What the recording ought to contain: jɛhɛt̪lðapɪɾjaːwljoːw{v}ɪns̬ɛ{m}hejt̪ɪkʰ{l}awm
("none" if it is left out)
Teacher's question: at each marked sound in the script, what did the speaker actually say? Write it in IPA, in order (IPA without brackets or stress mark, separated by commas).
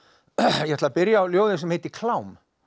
ð, m, l